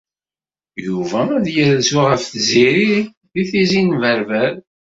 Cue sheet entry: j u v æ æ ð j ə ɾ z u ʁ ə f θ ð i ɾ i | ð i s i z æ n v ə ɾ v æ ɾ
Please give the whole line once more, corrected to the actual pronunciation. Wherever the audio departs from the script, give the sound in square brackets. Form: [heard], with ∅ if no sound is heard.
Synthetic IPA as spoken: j u v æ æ ð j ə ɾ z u ʁ ə f θ [z] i ɾ i | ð i [θ] i z [i] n v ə ɾ v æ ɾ